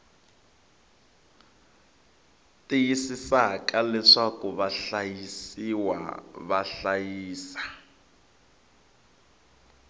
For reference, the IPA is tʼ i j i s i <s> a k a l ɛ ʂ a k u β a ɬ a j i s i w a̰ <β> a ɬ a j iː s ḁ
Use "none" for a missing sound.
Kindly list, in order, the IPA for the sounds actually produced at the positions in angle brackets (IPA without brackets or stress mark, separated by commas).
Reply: s, β